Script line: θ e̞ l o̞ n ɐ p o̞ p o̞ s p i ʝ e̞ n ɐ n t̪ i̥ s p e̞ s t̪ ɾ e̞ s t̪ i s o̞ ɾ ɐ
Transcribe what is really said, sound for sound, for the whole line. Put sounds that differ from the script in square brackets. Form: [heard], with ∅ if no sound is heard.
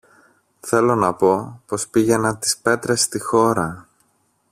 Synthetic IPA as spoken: θ e̞ l o̞ n ɐ p o̞ p o̞ s p i ʝ e̞ n ɐ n t̪ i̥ s p e̞ [∅] t̪ ɾ e̞ s t̪ i [x] o̞ ɾ ɐ